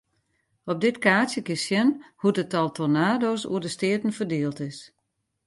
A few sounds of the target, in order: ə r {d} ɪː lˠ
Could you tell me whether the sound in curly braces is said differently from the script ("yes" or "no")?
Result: no